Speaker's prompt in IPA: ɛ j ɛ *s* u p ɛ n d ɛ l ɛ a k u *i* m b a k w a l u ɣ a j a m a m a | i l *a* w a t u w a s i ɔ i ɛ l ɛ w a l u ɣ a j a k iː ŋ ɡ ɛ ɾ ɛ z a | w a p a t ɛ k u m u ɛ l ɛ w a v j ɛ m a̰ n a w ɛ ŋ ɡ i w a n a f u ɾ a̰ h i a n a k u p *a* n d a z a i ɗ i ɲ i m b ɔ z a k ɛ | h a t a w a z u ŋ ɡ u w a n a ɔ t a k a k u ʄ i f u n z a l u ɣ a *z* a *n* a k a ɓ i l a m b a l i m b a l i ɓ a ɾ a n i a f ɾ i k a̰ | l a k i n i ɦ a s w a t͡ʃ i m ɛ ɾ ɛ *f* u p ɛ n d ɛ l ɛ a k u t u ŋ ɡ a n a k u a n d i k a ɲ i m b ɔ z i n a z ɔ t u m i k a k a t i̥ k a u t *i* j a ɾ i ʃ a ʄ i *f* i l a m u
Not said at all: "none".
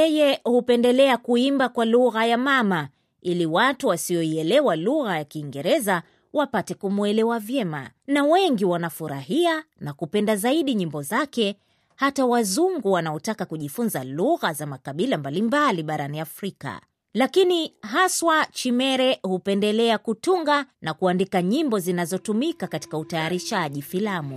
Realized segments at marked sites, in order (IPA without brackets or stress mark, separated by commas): h, i, i, ɛ, z, m, h, a, f